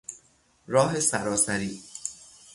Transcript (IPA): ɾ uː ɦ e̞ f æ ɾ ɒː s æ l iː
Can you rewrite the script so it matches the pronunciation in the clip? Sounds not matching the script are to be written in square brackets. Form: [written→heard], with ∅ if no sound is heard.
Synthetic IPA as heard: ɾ [uː→ɒː] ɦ e̞ [f→s] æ ɾ ɒː s æ [l→ɾ] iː